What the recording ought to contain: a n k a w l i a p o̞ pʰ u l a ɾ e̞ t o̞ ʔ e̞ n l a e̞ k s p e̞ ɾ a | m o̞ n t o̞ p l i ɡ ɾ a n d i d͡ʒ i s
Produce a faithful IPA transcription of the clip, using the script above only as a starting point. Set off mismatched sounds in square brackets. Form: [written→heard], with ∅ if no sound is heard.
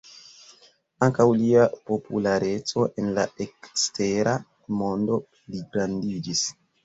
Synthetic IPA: a [n→ŋ] k a w l i a p o̞ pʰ u l a ɾ e̞ [t→t͡s] o̞ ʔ e̞ n l a e̞ k s [p→t] e̞ ɾ a | m o̞ n [t→d] o̞ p l i ɡ ɾ a n d i d͡ʒ i s